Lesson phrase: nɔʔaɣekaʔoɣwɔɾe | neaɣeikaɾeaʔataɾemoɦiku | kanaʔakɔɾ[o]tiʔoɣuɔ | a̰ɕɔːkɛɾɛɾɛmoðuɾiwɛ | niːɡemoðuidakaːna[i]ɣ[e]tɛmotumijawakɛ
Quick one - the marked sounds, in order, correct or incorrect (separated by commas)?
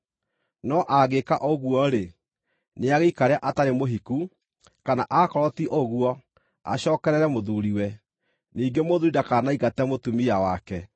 incorrect, correct, incorrect